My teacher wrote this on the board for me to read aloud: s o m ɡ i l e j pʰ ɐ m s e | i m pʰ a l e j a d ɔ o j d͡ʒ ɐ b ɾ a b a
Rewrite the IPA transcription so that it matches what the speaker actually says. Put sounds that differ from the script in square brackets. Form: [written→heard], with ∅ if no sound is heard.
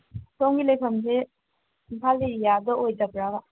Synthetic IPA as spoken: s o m ɡ i l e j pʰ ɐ m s e | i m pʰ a l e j a d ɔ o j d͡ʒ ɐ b ɾ a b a

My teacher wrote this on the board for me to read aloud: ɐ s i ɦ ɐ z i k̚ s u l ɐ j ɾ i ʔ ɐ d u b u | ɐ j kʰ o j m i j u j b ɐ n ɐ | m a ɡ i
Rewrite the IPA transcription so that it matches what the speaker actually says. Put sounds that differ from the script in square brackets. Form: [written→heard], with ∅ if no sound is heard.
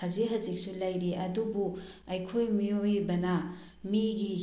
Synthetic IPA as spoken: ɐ [s→z] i ɦ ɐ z i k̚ s u l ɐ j ɾ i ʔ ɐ d u b u | ɐ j kʰ o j m i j [u→o] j b ɐ n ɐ | m [a→i] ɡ i

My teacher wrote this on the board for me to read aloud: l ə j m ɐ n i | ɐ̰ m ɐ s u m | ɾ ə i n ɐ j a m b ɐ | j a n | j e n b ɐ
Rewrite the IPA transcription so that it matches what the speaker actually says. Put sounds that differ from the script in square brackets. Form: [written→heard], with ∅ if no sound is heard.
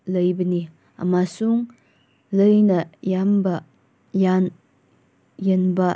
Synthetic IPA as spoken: l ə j [m→b] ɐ n i | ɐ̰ m [ɐ→a] s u [m→ŋ] | [ɾ→l] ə [i→j] n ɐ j a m b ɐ | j a n | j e n b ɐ

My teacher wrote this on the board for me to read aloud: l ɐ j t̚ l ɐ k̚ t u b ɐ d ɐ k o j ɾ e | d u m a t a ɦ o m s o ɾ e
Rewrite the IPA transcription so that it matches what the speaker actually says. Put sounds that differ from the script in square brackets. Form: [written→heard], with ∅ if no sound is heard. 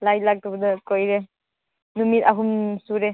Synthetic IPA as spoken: l [ɐ→a] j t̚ l [ɐ→a] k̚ t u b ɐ d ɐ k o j ɾ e | [d→n] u m [a→i] t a ɦ [o→u] m s [o→u] ɾ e

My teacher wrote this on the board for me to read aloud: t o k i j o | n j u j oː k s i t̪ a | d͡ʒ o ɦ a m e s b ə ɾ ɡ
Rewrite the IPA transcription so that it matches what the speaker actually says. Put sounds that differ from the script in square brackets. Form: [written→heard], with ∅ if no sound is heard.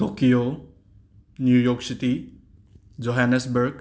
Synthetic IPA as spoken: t o k i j o | n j u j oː k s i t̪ [a→i] | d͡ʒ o ɦ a [m→n] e s b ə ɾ ɡ

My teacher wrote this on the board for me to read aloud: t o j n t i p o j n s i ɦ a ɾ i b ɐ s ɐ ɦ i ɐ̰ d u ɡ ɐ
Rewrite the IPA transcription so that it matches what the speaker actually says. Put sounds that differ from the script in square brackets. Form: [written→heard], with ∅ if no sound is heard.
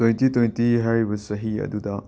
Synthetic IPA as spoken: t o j n t i [p→t] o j n [s→t] i ɦ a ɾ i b ɐ s ɐ ɦ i ɐ̰ d u [ɡ→d] ɐ

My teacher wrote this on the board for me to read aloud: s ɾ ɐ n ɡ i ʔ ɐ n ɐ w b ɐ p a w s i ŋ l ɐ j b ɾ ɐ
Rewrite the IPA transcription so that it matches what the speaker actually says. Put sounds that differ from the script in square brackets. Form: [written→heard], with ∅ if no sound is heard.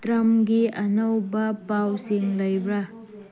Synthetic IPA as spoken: [s→t] ɾ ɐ [n→m] ɡ i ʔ ɐ n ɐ w b ɐ p a w s i ŋ l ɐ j b ɾ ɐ

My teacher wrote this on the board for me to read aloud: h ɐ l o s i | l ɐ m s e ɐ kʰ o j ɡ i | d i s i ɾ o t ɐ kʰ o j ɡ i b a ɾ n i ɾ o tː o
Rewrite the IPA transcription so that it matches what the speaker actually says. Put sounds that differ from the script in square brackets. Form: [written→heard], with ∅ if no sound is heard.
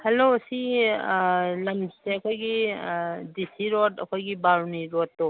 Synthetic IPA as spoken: h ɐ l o s i | l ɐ m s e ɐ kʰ o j ɡ i | d i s i ɾ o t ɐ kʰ o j ɡ i b a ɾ n i ɾ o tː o

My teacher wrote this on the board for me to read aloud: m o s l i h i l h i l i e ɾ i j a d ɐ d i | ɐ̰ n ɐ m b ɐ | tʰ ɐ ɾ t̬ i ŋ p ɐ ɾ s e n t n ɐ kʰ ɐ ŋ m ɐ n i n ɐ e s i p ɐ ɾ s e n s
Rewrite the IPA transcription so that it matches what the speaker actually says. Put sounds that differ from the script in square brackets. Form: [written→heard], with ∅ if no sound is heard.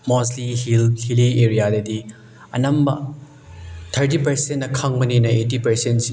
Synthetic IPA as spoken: m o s l i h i l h i l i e ɾ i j a d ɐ d i | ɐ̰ n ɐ m b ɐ | tʰ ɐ ɾ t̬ i [ŋ→∅] p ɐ ɾ s e n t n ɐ kʰ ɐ ŋ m ɐ n i n ɐ e [s→t] i p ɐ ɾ s e n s

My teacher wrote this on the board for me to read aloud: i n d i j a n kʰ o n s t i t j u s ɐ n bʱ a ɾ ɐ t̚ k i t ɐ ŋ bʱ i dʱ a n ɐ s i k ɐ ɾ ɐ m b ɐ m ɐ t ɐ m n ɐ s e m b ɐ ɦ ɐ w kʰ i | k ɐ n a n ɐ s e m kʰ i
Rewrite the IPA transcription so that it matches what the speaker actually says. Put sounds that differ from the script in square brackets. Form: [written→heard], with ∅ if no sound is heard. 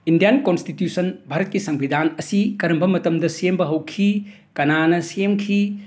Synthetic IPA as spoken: i n d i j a n [kʰ→k] o n s t i t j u s ɐ n bʱ a ɾ ɐ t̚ k i [t→s] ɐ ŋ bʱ i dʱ a n ɐ s i k ɐ ɾ ɐ m b ɐ m ɐ t ɐ m [n→d] ɐ s e m b ɐ ɦ ɐ w kʰ i | k ɐ n a n ɐ s e m kʰ i

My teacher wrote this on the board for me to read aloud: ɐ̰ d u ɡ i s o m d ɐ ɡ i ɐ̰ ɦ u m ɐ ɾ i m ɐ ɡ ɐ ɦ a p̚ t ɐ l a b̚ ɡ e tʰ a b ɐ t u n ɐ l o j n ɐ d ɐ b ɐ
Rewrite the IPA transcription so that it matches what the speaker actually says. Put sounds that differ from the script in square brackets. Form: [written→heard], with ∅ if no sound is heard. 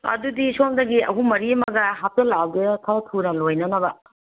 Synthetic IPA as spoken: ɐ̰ d u [ɡ→d] i s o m d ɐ ɡ i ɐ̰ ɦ u m ɐ ɾ i m ɐ ɡ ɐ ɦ a p̚ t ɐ l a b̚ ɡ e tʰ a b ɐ [t→tʰ] u n ɐ l o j n ɐ [d→n] ɐ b ɐ

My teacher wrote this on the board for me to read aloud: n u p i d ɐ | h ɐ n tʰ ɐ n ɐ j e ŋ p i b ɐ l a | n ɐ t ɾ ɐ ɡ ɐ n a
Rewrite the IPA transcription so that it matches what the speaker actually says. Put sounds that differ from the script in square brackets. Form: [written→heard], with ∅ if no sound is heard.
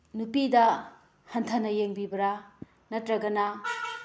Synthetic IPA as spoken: n u p i d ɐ | h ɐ n tʰ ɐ n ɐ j e ŋ [p→b] i b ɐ [l→ɾ] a | n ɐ t ɾ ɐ ɡ ɐ n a

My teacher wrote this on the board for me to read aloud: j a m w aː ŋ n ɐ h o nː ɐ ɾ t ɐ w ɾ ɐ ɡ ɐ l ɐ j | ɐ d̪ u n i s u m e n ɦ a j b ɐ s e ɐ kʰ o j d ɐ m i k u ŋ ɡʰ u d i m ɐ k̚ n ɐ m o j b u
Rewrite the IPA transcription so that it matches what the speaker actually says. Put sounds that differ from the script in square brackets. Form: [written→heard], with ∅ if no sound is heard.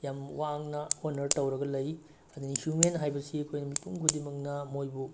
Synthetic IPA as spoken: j a m w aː ŋ n ɐ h o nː ɐ ɾ t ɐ w ɾ ɐ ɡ ɐ l ɐ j | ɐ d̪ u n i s u m e n ɦ a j b ɐ s [e→i] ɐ kʰ o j [d→n] ɐ m i [k→p] u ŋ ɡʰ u d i m ɐ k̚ n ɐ m o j b u

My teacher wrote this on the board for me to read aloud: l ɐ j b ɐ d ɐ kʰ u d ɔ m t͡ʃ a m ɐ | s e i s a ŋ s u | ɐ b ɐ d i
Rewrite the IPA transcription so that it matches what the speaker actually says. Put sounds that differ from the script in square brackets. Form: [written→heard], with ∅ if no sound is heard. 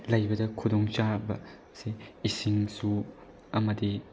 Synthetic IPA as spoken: l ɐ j b ɐ d ɐ kʰ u d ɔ [m→ŋ] t͡ʃ a [m→b] ɐ | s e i s [a→i] ŋ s u | ɐ [b→m] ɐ d i

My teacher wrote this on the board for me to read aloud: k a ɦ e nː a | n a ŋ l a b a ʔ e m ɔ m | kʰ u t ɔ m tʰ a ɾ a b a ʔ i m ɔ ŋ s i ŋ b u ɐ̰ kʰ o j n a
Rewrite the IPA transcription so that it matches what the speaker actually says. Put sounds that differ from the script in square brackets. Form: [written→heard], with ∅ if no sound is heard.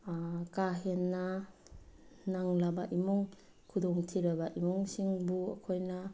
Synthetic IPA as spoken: k a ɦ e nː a | n a ŋ l a b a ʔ [e→i] m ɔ [m→ŋ] | kʰ u [t→d] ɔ [m→ŋ] tʰ [a→i] ɾ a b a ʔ i m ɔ ŋ s i ŋ b u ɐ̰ kʰ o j n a

